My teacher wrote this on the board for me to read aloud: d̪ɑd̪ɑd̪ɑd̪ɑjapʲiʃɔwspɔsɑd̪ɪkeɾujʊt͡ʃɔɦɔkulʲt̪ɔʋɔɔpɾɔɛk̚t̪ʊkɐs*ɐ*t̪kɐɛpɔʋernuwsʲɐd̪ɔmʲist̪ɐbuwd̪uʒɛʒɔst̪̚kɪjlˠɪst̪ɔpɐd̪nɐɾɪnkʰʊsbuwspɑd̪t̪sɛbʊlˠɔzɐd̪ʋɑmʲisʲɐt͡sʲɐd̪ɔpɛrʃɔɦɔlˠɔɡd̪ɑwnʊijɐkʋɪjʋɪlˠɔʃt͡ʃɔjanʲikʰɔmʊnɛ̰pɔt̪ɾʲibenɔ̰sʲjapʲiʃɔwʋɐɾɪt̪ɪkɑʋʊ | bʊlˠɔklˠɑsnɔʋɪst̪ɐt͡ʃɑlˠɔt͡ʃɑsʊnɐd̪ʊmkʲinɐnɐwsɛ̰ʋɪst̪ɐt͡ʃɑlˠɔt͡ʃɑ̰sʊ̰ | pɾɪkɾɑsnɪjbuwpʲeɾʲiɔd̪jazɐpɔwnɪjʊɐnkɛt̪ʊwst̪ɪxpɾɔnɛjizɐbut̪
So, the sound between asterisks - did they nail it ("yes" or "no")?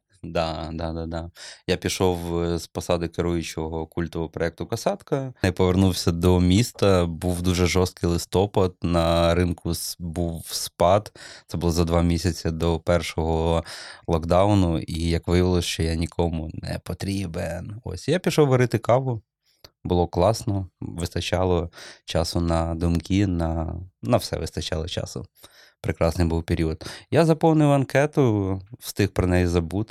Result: no